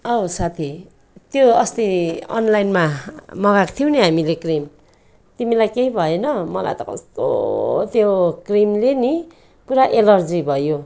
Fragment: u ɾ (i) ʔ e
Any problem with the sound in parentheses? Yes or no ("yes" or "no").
yes